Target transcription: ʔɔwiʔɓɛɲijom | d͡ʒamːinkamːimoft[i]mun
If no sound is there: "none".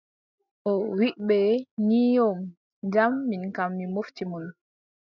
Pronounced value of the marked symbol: i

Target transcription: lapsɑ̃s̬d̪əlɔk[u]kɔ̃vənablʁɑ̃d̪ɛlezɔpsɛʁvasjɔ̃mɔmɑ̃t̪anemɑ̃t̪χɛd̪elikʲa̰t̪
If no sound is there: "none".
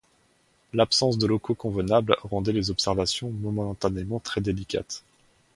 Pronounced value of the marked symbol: o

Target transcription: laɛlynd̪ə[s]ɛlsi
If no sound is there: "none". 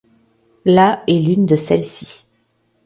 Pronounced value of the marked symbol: s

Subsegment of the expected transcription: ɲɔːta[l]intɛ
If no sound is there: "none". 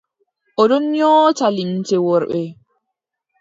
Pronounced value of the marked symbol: l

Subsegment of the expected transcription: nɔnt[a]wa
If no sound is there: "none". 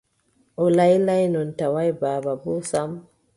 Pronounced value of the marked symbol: a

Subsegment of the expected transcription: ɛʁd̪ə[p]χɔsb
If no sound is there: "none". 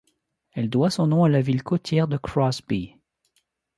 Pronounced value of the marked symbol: k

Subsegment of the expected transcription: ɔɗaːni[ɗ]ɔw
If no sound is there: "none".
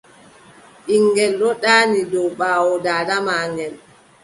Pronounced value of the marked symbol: d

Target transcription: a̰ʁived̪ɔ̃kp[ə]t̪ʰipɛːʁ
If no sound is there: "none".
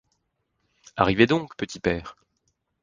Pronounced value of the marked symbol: ə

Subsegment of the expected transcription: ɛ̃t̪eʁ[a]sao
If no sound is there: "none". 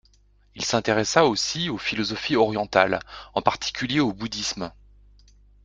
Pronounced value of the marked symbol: ɛ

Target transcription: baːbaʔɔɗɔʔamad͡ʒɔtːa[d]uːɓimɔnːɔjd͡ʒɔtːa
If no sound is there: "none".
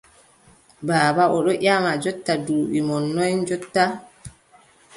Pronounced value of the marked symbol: d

